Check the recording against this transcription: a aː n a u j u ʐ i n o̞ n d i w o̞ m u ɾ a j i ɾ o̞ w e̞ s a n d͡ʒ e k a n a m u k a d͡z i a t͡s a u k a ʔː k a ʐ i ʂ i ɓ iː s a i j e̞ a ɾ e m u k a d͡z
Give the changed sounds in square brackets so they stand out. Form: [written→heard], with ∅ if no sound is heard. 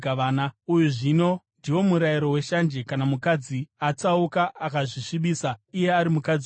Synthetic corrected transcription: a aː n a u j u ʐ i n o̞ n d i w o̞ m u ɾ a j i ɾ o̞ w e̞ [s→ʃ] a n d͡ʒ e k a n a m u k a d͡z i a t͡s a u k a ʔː k a ʐ i ʂ i ɓ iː s a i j e̞ a ɾ [e→i] m u k a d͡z